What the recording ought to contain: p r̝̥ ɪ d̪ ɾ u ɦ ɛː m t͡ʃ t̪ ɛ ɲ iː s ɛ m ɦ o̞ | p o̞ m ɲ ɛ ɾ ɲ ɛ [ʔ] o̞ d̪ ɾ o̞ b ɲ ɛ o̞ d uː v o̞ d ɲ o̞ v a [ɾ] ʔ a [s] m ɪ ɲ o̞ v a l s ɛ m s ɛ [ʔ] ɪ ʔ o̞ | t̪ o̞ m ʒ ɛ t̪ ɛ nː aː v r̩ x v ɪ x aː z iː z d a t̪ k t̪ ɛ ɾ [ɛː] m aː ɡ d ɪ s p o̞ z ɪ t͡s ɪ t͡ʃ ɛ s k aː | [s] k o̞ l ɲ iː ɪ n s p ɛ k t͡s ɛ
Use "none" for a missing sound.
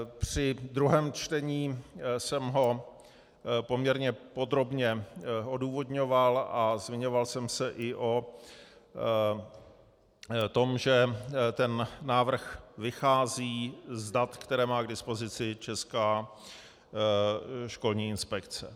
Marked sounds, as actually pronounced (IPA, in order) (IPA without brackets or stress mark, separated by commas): p, l, z, ʔ, ɛː, ʃ